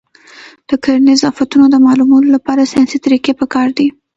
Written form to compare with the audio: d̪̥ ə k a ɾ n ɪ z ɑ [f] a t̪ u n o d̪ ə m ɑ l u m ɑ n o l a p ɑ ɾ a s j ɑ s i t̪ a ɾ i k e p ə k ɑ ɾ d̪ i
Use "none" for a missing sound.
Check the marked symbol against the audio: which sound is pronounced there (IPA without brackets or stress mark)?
f